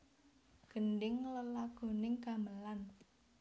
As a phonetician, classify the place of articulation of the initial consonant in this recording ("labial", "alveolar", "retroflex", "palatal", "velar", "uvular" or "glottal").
velar